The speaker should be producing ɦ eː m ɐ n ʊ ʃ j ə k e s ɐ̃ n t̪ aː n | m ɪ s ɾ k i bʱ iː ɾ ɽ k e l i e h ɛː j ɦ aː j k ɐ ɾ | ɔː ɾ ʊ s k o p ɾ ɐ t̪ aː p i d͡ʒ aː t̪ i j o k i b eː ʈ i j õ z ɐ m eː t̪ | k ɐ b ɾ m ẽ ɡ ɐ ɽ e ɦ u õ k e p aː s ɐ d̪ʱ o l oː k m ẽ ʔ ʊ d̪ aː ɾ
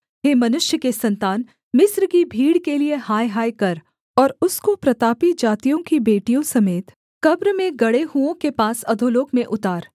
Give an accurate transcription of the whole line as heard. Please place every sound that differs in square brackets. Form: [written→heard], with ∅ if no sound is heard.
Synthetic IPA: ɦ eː m ɐ n ʊ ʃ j ə k e s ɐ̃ n t̪ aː n | m ɪ s ɾ k i bʱ iː [ɾ→∅] ɽ k e l i e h [ɛː→aː] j ɦ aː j k ɐ ɾ | ɔː ɾ ʊ s k o p ɾ ɐ t̪ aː p i d͡ʒ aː t̪ i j [o→õ] k i b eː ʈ i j õ [z→s] ɐ m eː t̪ | k ɐ b ɾ m ẽ ɡ ɐ ɽ e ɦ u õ k e p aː s ɐ d̪ʱ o l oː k m ẽ ʔ ʊ [d̪→t̪] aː ɾ